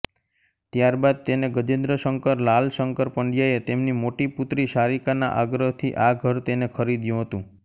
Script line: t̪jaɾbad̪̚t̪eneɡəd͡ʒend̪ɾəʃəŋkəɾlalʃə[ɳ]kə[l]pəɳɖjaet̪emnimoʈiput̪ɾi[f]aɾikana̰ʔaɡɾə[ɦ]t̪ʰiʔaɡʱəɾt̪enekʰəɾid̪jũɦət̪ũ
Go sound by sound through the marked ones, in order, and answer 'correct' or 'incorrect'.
incorrect: ŋ, incorrect: ɾ, incorrect: ʃ, correct

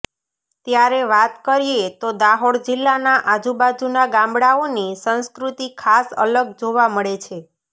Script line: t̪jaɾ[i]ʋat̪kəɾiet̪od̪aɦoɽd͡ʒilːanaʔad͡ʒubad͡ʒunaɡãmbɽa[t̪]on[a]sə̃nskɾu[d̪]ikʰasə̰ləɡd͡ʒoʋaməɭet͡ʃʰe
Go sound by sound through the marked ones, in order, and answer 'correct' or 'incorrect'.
incorrect: e, incorrect: none, incorrect: i, incorrect: t̪

